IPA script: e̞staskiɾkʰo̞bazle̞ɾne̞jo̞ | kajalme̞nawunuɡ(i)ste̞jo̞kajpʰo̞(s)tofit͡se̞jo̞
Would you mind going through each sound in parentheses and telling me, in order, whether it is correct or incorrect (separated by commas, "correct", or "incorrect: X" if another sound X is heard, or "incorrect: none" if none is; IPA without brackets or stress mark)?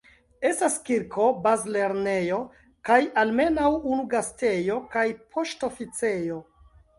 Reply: incorrect: a, incorrect: ʃ